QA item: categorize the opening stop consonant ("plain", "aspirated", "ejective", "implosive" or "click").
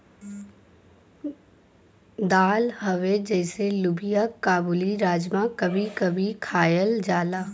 plain